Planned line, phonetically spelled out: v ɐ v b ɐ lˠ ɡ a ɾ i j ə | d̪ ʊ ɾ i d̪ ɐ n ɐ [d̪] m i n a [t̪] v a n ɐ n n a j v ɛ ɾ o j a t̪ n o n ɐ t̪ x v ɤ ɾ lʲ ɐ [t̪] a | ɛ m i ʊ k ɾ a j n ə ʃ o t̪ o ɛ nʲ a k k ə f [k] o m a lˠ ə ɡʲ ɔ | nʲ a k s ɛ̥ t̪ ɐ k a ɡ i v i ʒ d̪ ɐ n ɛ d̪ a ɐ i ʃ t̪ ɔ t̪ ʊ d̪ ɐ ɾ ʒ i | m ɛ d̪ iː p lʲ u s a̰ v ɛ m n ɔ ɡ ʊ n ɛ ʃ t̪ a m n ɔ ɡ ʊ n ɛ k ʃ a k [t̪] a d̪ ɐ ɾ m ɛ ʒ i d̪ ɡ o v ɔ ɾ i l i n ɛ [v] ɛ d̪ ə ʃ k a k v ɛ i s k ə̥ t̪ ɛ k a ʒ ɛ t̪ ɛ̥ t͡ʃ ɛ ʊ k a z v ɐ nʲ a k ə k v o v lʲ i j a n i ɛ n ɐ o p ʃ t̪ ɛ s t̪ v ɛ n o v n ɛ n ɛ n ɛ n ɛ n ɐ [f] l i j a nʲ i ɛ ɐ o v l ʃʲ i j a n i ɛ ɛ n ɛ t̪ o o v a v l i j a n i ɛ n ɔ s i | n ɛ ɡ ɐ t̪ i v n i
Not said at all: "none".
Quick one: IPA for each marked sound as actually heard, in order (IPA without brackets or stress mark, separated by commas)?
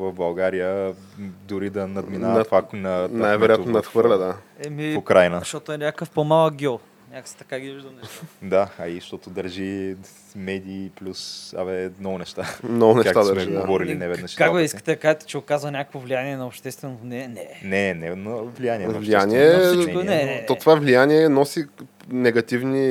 d̪, t̪, d̪, p, t̪, v, v